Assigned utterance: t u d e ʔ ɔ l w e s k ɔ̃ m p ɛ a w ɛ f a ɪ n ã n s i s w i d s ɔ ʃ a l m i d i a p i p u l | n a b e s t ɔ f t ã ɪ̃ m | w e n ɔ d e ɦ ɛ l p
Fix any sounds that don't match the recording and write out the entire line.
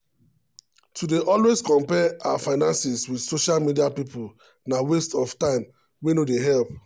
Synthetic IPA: t u d e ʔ ɔ l w e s k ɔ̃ m p ɛ a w a f a ɪ n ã n s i s w i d s o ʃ a l m i d i a p i p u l | n a w e s t ɔ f t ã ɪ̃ m | w e n o d e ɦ ɛ l p